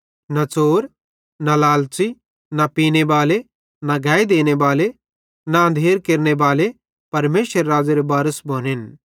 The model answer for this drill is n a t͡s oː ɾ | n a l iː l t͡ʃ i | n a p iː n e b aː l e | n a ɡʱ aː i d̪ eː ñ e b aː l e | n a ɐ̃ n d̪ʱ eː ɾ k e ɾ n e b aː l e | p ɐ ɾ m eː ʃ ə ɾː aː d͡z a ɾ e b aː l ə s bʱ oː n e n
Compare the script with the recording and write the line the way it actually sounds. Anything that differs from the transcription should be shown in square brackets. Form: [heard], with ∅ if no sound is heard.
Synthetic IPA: n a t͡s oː ɾ | n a l [aː] l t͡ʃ i | n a p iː n e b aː l e | n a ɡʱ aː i d̪ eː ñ e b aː l e | n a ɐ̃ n d̪ʱ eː ɾ k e ɾ n e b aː l e | p ɐ ɾ m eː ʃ ə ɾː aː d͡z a ɾ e b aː [ɾ] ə s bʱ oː n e n

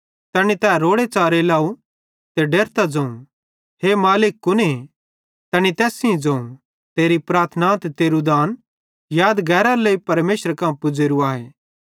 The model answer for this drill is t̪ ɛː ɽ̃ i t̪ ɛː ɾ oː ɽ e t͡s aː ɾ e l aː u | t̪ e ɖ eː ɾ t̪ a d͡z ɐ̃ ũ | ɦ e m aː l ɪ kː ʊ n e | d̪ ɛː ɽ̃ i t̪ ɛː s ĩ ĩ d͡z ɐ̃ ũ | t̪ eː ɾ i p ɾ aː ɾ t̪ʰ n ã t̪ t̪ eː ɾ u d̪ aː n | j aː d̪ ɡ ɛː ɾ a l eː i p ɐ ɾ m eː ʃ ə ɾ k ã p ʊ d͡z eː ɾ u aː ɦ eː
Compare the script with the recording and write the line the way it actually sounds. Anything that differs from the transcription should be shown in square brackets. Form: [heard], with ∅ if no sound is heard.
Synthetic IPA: t̪ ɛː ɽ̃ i t̪ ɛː ɾ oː ɽ e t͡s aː ɾ e l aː u | t̪ e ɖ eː ɾ t̪ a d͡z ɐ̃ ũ | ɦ e m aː l ɪ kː ʊ n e | [t̪] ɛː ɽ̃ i t̪ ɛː s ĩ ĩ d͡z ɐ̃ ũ | t̪ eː ɾ i p ɾ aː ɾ t̪ʰ n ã t̪ t̪ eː ɾ u d̪ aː n | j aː d̪ ɡ ɛː ɾ a l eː i p ɐ ɾ m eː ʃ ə ɾ k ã p ʊ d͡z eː ɾ u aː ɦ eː

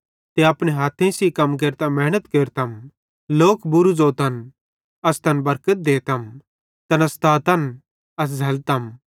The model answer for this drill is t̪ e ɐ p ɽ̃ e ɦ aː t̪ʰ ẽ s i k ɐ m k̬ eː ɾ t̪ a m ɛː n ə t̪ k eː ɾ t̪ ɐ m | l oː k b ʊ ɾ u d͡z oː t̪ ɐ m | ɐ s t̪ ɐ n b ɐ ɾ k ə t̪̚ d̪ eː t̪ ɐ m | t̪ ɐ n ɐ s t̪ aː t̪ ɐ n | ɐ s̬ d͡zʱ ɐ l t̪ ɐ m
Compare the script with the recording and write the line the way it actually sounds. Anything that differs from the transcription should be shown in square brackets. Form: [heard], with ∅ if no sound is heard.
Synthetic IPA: t̪ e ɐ p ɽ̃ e ɦ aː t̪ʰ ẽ s i k ɐ m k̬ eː ɾ t̪ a m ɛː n ə t̪ k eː ɾ t̪ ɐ m | l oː k b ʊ ɾ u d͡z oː t̪ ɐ [n] | ɐ s t̪ ɐ n b ɐ ɾ k ə t̪̚ d̪ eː t̪ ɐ m | t̪ ɐ n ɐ s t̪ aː t̪ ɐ n | ɐ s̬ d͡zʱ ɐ l t̪ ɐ m

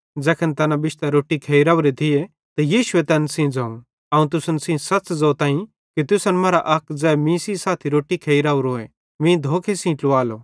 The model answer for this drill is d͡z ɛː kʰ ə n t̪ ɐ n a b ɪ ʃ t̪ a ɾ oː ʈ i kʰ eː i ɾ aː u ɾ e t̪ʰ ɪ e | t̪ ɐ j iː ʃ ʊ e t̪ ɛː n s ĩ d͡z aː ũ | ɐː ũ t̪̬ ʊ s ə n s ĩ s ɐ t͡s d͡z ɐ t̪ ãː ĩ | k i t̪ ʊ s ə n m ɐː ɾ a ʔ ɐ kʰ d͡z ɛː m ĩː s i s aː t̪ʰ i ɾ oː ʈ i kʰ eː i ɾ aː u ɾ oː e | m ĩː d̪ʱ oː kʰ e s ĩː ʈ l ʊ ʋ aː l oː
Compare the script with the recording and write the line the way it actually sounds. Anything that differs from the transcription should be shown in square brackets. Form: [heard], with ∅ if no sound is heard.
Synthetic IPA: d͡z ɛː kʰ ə n t̪ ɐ n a b ɪ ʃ t̪ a ɾ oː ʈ i kʰ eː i ɾ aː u ɾ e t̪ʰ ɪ e | t̪ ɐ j iː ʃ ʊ e t̪ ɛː n s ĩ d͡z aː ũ | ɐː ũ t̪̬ ʊ s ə n s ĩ s ɐ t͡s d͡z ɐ t̪ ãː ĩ | k i t̪ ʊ s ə n m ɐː ɾ a ʔ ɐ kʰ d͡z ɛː m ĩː s i s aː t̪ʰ i ɾ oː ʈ i kʰ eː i ɾ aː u ɾ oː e | m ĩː d̪ʱ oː kʰ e s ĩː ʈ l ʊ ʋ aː l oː

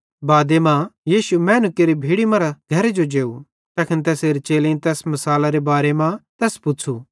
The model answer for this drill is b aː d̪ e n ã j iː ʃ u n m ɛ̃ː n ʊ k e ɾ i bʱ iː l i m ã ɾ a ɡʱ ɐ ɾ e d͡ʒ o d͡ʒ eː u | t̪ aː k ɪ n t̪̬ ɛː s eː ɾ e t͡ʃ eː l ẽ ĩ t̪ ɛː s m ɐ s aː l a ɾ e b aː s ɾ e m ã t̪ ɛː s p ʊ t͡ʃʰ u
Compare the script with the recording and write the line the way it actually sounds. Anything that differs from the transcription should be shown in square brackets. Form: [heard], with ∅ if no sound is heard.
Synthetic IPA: b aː d̪ e [m] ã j iː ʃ u [∅] m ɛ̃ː n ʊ k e ɾ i bʱ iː [ɽ] i m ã ɾ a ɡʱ ɐ ɾ e d͡ʒ o d͡ʒ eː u | t̪ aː k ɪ n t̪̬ ɛː s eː ɾ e t͡ʃ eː l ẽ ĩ t̪ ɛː s m ɐ s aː l a ɾ e b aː [∅] ɾ e m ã t̪ ɛː s p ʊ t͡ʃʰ u

